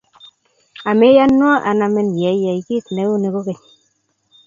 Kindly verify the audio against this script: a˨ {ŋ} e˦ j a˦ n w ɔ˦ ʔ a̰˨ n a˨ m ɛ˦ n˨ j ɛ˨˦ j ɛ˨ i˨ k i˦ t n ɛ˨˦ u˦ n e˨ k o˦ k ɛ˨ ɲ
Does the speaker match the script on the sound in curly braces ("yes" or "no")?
no